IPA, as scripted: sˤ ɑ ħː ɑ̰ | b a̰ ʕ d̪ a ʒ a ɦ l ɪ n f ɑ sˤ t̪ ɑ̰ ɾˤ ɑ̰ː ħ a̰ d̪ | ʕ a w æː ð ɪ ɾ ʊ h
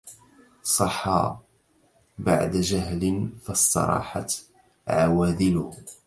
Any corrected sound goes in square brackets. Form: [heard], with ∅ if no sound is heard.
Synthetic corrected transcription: sˤ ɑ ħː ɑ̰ | b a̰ ʕ d̪ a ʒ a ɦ l ɪ n f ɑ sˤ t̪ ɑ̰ ɾˤ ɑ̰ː ħ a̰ [t̪] | ʕ a w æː ð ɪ [l] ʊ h